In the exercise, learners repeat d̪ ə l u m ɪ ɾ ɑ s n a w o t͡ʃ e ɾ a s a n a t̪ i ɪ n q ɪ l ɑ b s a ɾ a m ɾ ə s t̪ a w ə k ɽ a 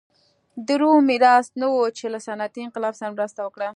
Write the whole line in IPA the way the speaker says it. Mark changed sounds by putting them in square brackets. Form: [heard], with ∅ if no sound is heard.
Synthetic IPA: d̪ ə [ɾ] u m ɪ ɾ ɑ s n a w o t͡ʃ e [l] a s a n a t̪ i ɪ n q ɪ l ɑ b s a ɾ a m ɾ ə s t̪ a w ə k ɽ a

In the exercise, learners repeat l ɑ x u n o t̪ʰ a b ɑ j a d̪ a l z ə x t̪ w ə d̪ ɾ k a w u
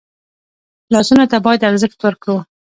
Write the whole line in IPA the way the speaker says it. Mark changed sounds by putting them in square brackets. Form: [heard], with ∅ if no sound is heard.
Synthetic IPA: l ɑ [s] u n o [t̪] a b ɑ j a d̪ a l z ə x t̪ w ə [∅] ɾ k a w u

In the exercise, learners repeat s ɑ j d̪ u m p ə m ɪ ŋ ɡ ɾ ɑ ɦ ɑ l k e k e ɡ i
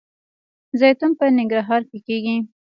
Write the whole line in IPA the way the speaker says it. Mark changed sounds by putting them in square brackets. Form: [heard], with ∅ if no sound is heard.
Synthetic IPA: [z] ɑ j [t̪] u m p ə [n] ɪ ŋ ɡ ɾ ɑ ɦ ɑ [ɾ] k e k e ɡ i

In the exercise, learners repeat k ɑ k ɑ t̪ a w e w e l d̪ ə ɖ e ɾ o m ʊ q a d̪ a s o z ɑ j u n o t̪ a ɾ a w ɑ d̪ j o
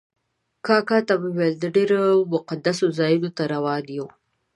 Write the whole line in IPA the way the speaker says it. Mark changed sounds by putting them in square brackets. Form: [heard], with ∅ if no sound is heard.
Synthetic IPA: k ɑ k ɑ t̪ a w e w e l d̪ ə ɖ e ɾ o m ʊ q a d̪ a s o z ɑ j u n o t̪ a ɾ a w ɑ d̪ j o

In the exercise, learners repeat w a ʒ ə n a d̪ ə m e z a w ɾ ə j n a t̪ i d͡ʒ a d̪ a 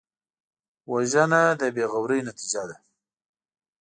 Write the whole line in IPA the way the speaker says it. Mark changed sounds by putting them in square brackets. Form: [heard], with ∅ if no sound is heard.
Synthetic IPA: w a ʒ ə n a d̪ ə [b] e [ɣ] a w ɾ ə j n a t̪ i d͡ʒ a d̪ a

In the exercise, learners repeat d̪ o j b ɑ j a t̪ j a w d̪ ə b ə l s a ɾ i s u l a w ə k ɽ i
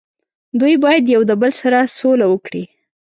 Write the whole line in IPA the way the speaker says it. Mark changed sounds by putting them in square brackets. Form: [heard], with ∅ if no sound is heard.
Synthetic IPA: d̪ [u] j b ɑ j a [d̪] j a w d̪ ə b ə l s a ɾ [a] s [o] l a w ə k ɽ i

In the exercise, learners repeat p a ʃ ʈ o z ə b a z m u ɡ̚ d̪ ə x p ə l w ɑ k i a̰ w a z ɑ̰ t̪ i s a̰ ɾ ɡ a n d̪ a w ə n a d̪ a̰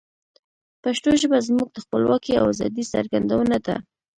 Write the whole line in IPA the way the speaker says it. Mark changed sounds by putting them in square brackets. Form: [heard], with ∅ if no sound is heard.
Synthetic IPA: p a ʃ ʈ o [ʒ] ə b a z m u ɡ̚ d̪ ə x p ə l w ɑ k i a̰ w a z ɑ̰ [d̪] i s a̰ ɾ ɡ a n d̪ a w ə n a d̪ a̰

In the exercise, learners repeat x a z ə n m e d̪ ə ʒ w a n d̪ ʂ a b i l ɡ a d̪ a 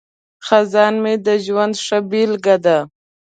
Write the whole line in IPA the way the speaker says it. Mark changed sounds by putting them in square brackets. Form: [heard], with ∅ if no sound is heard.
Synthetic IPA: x a z [ɑ] n m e d̪ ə ʒ w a n d̪ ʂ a b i l ɡ a d̪ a

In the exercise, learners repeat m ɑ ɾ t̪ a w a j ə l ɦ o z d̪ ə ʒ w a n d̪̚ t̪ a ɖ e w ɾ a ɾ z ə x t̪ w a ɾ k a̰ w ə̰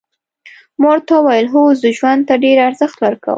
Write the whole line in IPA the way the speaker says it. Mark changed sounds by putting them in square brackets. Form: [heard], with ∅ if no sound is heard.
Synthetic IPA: m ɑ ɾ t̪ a w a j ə l ɦ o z d̪ ə ʒ w a n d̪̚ t̪ a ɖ e [∅] ɾ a ɾ z ə x t̪ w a ɾ k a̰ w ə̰

